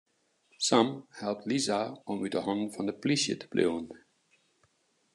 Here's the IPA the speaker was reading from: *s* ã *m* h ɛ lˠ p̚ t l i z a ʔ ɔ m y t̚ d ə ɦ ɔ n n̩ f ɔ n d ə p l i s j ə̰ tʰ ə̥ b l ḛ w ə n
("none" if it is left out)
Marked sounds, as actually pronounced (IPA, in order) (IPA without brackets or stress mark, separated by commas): s, m